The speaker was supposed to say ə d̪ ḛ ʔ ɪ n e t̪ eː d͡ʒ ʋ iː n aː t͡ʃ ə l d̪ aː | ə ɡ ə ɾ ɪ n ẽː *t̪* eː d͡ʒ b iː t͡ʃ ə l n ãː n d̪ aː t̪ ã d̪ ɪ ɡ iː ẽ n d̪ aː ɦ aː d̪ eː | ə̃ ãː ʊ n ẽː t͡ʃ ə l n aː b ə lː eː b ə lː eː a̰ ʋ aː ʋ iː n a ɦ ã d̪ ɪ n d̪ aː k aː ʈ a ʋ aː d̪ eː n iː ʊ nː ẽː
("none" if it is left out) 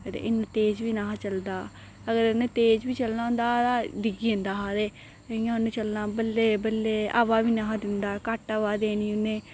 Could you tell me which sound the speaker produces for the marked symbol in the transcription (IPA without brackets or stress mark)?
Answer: t̪